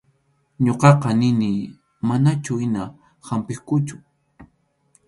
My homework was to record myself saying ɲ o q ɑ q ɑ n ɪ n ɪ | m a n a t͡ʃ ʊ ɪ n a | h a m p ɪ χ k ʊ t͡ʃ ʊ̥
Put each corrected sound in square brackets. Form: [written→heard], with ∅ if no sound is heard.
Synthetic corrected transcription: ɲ o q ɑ q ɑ n ɪ n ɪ | m a n a t͡ʃ ʊ ɪ n a | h a m p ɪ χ k ʊ t͡ʃ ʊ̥

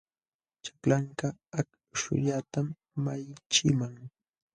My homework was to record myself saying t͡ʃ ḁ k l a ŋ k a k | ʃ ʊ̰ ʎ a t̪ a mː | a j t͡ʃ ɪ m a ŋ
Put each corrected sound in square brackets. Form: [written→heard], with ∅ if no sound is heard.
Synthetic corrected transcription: t͡ʃ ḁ k l a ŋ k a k | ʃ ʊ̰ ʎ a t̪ a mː | a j t͡ʃ ɪ m a ŋ

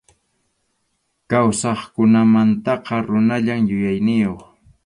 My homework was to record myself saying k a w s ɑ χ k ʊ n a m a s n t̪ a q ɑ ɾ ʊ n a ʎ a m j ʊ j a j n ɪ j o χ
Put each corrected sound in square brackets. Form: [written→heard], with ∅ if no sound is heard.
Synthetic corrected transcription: k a w s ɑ χ k ʊ n a m a [s→∅] n t̪ [a→ɑ] q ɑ ɾ ʊ n a ʎ a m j ʊ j a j n ɪ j o χ

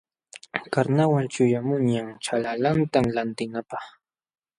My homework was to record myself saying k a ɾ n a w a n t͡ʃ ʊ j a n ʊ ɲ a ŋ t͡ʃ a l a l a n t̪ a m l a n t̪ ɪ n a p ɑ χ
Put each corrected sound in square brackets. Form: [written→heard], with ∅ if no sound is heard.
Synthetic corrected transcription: k a ɾ n a w a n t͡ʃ ʊ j a [n→m] ʊ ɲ a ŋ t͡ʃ a l a l a n t̪ a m l a n t̪ ɪ n a p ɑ χ

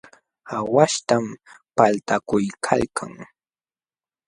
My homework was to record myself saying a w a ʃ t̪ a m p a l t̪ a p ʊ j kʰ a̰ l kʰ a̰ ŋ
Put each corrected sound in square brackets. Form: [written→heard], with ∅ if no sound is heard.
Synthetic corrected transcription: a w a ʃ t̪ a m p a l t̪ a [p→k] ʊ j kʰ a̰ l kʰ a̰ ŋ

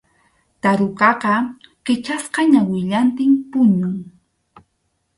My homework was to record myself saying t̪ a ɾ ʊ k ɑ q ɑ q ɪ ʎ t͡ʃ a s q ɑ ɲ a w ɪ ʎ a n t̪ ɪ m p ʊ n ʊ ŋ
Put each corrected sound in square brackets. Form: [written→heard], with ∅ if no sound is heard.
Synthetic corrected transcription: t̪ a ɾ ʊ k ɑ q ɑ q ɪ [ʎ→∅] t͡ʃ a s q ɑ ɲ a w ɪ ʎ a n t̪ ɪ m p ʊ [n→ɲ] ʊ ŋ

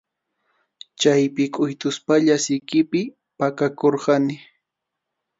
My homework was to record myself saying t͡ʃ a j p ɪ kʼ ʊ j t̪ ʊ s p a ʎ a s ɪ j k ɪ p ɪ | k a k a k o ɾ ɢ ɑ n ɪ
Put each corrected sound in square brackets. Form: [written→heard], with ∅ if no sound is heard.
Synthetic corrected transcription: t͡ʃ a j p ɪ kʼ ʊ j t̪ ʊ s p a ʎ a s ɪ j k ɪ p ɪ | [k→p] a k a k o ɾ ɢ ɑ n ɪ

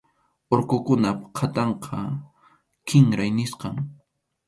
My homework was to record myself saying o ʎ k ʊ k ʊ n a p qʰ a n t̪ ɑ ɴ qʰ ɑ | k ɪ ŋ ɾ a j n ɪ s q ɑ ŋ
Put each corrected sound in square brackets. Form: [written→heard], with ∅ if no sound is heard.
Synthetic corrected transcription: o [ʎ→ɾ] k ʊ k ʊ n a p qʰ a [n→∅] t̪ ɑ ɴ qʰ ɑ | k ɪ ŋ ɾ a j n ɪ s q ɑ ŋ

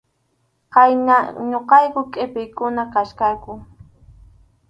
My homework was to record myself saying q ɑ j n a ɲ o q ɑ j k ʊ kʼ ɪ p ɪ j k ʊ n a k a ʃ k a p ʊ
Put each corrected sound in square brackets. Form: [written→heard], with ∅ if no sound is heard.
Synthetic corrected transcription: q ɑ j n a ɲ o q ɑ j k ʊ kʼ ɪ p ɪ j k ʊ n a k a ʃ k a [p→k] ʊ

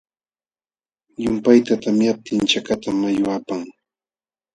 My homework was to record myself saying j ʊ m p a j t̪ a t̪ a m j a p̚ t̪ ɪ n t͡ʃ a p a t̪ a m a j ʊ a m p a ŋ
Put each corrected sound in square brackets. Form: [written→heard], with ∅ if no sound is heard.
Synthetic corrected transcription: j ʊ m p a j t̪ a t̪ a m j a p̚ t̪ ɪ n t͡ʃ a [p→k] a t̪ a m a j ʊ a [m→∅] p a ŋ

